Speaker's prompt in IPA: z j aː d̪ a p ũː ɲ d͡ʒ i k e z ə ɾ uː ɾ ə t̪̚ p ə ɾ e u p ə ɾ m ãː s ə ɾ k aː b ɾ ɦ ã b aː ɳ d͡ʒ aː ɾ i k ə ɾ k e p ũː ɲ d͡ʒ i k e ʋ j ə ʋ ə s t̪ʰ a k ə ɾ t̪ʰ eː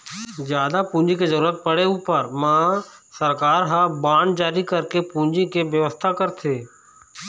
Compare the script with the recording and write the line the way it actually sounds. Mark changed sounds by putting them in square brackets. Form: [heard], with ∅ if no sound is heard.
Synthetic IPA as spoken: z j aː d̪ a p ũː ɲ d͡ʒ i k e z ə ɾ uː ɾ ə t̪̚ p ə [ɽ] e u p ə ɾ m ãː s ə ɾ k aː [∅] ɾ ɦ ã b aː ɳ d͡ʒ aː ɾ i k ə ɾ k e p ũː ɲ d͡ʒ i k e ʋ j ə ʋ ə s t̪ʰ a k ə ɾ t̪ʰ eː